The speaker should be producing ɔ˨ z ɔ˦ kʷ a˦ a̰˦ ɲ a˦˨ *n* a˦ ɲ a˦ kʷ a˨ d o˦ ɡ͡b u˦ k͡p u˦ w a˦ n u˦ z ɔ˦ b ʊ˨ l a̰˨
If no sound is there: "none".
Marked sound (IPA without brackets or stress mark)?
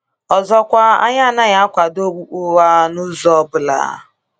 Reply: n